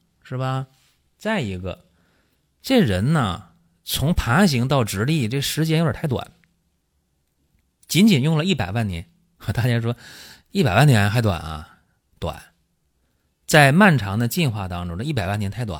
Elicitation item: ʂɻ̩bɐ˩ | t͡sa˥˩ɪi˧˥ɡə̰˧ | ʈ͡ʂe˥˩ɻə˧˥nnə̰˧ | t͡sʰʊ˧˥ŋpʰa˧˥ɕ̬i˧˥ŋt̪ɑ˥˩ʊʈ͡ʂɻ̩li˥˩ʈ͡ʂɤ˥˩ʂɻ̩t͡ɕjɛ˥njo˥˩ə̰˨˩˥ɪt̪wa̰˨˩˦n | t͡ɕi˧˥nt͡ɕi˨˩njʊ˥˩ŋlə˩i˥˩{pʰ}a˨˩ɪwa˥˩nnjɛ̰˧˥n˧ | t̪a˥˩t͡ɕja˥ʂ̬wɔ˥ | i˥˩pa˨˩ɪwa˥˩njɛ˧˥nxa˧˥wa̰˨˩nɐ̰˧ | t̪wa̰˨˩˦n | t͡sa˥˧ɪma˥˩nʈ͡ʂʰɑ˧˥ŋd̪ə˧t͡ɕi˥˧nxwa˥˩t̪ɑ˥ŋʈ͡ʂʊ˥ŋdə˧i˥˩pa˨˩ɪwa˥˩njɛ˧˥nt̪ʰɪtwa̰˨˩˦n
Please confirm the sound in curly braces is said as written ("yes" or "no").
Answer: no